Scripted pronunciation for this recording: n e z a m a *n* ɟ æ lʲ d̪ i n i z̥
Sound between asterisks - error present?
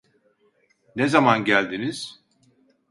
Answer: no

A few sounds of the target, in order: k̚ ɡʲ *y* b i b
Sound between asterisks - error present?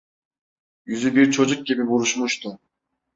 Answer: yes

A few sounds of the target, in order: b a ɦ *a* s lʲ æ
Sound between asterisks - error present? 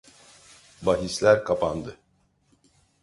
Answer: yes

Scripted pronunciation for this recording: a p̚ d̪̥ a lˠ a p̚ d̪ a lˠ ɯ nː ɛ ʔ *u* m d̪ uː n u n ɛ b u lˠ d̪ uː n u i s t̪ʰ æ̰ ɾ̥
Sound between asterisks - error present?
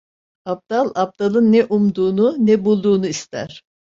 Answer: no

